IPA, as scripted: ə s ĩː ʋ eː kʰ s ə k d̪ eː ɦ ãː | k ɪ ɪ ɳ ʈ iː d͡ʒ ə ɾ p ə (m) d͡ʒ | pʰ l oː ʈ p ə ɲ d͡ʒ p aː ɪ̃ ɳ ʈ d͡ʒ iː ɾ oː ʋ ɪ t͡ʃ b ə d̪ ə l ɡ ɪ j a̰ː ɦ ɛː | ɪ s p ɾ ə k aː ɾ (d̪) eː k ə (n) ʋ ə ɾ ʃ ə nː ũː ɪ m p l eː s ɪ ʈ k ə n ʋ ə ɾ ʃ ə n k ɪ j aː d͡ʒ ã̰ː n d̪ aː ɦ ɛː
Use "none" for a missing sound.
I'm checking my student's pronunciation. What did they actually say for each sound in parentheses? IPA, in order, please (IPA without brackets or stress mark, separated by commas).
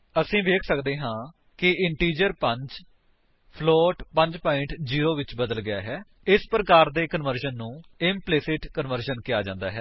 ɲ, d̪, n